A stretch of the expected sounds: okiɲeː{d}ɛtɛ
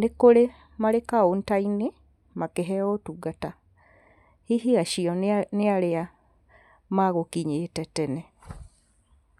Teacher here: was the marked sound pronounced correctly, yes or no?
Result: no